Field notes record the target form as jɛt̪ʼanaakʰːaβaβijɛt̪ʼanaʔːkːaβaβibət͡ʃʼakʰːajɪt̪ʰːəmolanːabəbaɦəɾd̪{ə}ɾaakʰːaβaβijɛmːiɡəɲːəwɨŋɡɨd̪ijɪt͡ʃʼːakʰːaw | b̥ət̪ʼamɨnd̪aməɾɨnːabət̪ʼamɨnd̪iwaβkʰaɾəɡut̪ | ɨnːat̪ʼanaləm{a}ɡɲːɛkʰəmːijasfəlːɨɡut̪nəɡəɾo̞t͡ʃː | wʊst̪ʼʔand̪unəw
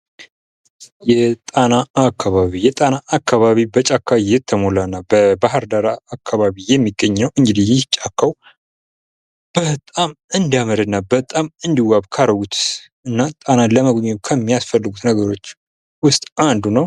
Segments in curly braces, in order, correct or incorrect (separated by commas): incorrect, incorrect